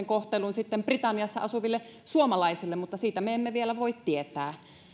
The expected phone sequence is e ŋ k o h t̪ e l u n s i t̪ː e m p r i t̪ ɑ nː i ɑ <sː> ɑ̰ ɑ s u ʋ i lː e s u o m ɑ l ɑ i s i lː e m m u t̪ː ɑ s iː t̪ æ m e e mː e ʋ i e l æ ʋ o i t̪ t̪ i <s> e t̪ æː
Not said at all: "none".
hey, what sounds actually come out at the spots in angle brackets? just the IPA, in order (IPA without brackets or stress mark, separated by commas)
sː, none